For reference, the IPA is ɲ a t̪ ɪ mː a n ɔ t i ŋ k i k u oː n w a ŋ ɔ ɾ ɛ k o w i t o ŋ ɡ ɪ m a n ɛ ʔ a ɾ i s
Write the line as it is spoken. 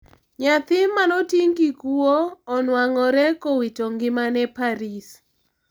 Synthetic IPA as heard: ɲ a t̪ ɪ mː a n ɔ t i ŋ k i k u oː n w a ŋ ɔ ɾ ɛ k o w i t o ŋ ɡ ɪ m a n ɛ p a ɾ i s